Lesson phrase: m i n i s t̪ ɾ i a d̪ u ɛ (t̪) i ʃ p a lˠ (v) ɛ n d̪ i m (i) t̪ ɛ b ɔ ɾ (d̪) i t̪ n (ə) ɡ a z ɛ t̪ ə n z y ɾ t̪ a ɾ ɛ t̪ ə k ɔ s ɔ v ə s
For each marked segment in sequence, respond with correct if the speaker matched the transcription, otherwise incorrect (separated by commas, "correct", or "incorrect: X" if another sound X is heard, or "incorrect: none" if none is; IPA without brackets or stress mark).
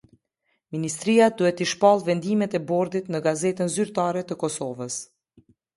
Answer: correct, correct, incorrect: ɛ, correct, correct